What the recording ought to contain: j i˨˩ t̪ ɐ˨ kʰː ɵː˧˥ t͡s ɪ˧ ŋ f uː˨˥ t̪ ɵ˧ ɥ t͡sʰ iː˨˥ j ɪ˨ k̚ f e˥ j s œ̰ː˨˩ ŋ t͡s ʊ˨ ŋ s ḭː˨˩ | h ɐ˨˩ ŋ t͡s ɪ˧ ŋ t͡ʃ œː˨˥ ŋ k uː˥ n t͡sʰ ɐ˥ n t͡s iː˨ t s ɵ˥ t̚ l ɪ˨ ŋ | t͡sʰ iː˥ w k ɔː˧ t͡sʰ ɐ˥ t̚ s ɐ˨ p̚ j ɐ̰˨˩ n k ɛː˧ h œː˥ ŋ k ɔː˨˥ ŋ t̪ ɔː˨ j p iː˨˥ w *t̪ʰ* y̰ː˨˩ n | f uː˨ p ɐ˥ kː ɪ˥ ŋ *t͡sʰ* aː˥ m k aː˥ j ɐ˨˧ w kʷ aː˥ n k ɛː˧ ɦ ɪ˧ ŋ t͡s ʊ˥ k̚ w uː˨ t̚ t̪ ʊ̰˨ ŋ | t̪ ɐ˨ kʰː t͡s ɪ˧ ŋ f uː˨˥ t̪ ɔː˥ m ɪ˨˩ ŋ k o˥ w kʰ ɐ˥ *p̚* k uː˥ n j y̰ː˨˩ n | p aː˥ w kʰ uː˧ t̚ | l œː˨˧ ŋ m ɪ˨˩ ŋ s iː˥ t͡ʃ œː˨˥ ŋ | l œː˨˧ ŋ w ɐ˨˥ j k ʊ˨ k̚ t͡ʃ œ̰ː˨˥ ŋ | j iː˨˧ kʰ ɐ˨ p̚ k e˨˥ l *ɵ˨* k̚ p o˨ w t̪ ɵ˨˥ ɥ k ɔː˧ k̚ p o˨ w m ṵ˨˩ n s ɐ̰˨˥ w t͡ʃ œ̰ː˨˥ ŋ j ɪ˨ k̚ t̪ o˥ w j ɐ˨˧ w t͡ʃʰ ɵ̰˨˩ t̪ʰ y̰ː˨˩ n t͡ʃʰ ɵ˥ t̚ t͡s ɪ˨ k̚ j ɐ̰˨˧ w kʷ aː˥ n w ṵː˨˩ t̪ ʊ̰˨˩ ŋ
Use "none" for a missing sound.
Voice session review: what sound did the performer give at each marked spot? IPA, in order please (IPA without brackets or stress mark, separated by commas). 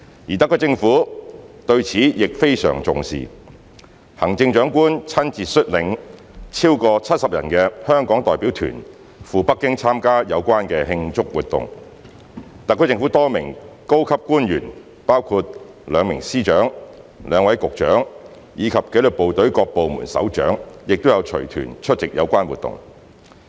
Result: t̪ʰ, t͡sʰ, p̚, ɵ˨